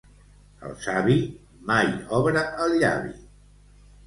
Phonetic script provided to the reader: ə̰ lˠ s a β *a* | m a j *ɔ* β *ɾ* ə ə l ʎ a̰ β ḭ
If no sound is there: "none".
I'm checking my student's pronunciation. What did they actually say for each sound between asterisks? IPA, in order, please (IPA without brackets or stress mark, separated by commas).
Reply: i, ɔ, ɾ